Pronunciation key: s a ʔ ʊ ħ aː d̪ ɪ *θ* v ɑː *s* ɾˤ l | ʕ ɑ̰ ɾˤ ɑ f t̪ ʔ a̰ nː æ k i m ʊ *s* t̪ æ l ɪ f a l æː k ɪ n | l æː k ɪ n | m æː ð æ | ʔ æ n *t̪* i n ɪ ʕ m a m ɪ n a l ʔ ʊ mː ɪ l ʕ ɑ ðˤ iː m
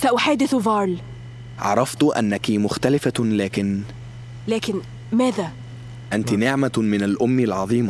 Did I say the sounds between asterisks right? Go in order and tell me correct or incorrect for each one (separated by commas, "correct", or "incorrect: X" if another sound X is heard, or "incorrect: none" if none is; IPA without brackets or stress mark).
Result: correct, incorrect: none, incorrect: x, correct